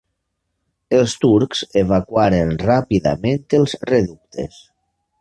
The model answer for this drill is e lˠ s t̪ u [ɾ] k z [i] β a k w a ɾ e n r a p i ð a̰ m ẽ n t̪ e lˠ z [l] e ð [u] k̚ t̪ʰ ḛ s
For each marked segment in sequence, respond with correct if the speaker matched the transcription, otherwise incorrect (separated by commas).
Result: correct, incorrect, incorrect, correct